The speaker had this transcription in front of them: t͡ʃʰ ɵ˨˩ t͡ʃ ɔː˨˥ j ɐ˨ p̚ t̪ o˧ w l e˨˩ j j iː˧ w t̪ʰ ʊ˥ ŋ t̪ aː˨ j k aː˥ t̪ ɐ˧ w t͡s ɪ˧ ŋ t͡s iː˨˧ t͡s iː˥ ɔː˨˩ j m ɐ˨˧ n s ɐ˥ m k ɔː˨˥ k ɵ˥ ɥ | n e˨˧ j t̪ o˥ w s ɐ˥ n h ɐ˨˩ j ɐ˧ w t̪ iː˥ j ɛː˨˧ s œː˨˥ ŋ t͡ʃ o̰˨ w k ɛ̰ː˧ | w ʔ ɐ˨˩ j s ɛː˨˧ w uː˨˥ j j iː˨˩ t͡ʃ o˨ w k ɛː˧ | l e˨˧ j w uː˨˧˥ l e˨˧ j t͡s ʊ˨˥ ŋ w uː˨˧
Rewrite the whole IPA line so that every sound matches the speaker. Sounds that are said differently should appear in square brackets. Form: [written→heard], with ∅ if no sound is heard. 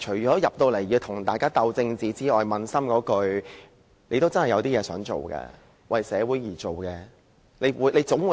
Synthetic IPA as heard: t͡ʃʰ ɵ˨˩ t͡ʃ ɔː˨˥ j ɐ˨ p̚ t̪ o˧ w l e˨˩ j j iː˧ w t̪ʰ [ʊ˥→ʊ˨˩] ŋ t̪ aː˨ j k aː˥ t̪ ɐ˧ w t͡s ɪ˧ ŋ t͡s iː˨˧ t͡s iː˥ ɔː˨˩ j m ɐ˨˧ n s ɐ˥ m k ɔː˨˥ k [ɵ˥→ɵ˧] ɥ | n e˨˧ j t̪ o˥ w [s→t͡s] ɐ˥ n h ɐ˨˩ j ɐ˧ w t̪ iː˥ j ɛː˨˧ s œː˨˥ ŋ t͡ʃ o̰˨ w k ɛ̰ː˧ | w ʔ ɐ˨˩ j s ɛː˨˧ w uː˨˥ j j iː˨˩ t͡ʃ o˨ w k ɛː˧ | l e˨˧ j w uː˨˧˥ l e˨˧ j t͡s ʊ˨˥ ŋ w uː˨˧